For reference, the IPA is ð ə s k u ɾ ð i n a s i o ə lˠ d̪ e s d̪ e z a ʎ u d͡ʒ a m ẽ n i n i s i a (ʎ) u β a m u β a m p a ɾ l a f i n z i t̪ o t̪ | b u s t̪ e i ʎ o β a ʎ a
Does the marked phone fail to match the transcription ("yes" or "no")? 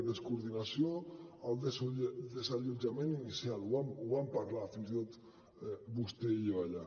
yes